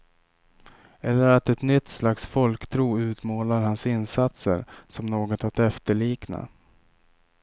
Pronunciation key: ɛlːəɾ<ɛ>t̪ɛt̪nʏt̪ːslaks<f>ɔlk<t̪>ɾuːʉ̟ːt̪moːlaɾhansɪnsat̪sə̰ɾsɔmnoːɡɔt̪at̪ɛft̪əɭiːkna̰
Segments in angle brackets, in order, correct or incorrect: incorrect, correct, incorrect

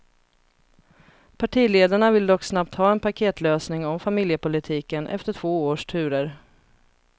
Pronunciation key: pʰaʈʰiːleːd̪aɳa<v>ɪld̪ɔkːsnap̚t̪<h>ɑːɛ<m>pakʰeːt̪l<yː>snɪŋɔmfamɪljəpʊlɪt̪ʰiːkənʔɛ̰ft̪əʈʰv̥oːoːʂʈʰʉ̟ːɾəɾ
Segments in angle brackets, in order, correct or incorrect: correct, correct, incorrect, incorrect

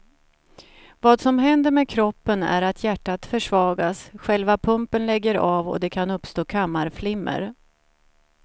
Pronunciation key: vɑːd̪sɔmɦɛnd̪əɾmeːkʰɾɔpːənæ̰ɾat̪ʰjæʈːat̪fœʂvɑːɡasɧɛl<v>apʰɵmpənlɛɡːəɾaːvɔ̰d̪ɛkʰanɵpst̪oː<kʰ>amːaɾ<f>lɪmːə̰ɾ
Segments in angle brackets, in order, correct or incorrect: correct, correct, correct

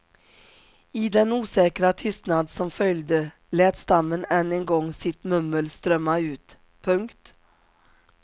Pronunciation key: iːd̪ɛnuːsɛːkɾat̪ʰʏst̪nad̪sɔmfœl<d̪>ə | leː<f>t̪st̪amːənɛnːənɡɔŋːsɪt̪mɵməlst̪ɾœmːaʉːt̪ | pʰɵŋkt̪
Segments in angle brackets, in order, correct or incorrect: correct, incorrect

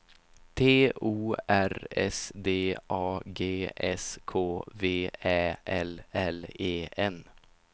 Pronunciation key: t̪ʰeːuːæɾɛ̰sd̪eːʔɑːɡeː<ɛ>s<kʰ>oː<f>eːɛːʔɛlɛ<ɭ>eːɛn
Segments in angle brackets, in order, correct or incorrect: correct, correct, incorrect, incorrect

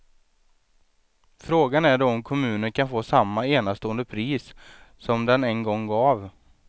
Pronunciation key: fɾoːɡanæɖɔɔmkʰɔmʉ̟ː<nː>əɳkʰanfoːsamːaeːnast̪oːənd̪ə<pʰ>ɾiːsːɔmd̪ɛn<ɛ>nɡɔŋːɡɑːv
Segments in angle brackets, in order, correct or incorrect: incorrect, correct, correct

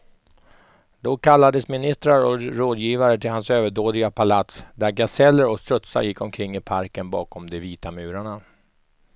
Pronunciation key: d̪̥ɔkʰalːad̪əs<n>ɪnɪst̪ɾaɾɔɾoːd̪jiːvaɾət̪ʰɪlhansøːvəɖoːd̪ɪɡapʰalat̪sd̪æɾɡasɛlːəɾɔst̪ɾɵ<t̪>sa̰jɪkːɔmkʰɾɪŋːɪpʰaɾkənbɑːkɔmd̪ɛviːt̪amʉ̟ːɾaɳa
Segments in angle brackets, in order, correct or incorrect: incorrect, correct

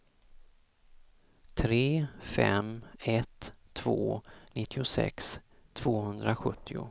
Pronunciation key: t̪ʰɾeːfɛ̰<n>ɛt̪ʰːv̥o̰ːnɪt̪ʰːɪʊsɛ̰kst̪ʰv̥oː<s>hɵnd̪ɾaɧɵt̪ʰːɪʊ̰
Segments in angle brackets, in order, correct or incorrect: incorrect, incorrect

